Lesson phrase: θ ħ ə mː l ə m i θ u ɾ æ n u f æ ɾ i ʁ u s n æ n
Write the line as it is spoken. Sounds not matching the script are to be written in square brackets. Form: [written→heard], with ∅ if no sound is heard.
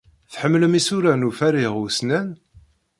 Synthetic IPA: θ ħ ə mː l ə m i [θ→s] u ɾ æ n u f æ ɾ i ʁ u s n æ n